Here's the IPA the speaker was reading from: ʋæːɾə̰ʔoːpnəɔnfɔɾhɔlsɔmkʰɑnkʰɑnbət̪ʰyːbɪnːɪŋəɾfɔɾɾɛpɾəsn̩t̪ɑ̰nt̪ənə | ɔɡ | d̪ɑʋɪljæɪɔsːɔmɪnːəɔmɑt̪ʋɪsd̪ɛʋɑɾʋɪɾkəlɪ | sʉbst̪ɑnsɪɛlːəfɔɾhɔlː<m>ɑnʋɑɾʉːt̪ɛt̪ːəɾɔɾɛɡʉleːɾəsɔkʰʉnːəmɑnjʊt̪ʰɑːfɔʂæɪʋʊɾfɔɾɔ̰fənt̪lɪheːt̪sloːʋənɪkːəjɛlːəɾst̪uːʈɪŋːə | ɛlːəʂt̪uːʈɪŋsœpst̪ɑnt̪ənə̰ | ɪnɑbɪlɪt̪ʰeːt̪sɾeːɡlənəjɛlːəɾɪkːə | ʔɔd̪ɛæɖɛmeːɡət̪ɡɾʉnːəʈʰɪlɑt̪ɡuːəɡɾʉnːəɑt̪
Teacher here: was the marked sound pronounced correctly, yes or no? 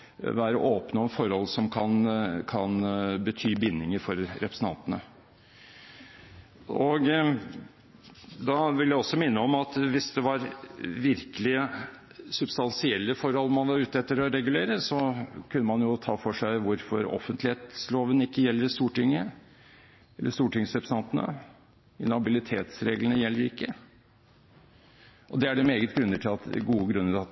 yes